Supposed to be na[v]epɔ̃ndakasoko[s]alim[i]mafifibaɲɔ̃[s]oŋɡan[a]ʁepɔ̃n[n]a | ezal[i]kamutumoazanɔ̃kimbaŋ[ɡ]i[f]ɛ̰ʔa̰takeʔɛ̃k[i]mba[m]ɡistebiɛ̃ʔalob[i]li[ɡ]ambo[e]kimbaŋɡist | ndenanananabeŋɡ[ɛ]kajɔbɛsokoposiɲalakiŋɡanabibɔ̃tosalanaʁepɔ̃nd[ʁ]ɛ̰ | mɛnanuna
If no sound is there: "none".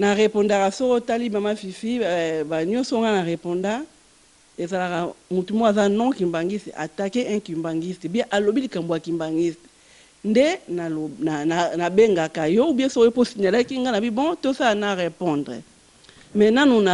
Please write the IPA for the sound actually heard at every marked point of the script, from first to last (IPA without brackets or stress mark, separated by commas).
ʁ, t, a, s, a, d, a, ɡ, s, i, ŋ, i, k, a, a, ʁ